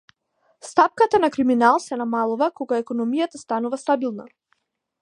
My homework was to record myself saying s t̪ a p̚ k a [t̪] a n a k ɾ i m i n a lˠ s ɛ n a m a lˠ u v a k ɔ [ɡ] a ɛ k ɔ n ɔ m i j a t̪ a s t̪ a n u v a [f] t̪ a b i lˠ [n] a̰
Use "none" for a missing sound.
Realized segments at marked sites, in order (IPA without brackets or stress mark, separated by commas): t̪, ɡ, s, n